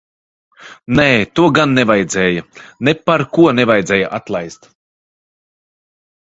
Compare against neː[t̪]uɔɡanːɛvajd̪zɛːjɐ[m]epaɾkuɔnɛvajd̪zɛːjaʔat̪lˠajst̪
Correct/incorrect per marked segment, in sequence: correct, incorrect: n

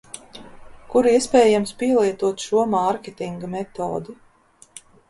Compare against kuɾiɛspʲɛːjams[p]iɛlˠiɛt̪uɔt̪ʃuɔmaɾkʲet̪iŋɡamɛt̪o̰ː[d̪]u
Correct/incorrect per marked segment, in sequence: correct, correct

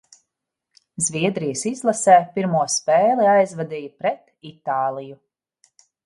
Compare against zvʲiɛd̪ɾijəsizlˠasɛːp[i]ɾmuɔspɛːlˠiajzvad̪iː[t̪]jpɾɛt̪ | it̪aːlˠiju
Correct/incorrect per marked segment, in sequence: correct, incorrect: none

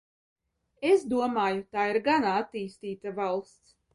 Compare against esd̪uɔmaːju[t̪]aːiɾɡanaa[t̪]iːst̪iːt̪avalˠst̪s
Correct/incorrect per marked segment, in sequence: correct, correct

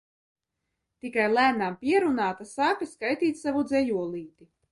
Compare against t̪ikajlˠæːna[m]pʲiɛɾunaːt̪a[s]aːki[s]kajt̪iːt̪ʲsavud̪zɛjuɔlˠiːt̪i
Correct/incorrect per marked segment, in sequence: correct, correct, correct

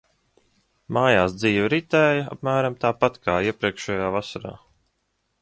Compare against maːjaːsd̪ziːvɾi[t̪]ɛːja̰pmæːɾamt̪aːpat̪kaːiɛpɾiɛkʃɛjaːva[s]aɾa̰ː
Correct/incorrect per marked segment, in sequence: correct, correct

